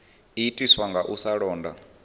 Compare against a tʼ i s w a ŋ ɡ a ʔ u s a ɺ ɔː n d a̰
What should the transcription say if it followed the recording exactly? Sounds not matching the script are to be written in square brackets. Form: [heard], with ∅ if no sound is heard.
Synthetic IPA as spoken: [i] tʼ i s w a ŋ ɡ a ʔ u s a ɺ ɔː n d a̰